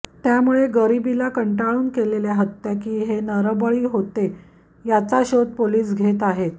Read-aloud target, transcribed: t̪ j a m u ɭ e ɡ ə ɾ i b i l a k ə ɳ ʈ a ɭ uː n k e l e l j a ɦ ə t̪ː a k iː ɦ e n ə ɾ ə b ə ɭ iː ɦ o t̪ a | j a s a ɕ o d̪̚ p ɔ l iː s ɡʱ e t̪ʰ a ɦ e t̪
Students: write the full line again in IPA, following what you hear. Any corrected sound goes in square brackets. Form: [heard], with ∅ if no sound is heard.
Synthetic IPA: t̪ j a m u ɭ e ɡ ə ɾ i b i l a k ə ɳ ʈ a ɭ uː n k e l e l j a ɦ ə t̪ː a k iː ɦ e n ə ɾ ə b ə ɭ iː ɦ o t̪ [e] | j a [t͡s] a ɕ o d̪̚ p [o] l iː s ɡʱ e [t̪] a ɦ e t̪